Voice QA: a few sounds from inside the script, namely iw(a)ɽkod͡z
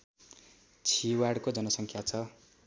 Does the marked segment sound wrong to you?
no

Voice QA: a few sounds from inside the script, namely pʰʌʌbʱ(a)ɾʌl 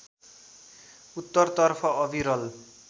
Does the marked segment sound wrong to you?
yes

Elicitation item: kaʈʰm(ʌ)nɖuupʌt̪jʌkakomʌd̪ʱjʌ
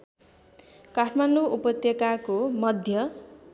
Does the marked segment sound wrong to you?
yes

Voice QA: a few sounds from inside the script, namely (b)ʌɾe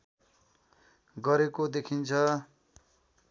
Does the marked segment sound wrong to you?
yes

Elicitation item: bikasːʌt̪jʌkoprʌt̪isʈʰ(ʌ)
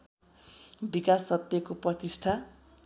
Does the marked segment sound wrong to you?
yes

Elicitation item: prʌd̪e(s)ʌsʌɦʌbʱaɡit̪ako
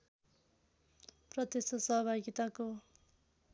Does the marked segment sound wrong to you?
no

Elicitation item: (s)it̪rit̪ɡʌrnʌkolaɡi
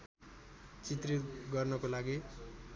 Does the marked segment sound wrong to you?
yes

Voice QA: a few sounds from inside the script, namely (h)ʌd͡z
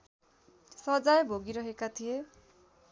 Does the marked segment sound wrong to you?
yes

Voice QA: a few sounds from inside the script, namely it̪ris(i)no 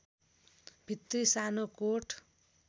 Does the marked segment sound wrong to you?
yes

